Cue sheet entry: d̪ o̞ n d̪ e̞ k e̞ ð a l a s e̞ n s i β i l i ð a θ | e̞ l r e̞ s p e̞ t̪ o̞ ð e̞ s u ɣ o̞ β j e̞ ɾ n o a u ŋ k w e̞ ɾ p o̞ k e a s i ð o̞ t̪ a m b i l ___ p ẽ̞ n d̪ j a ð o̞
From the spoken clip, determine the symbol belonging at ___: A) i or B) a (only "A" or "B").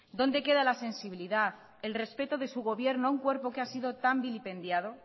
A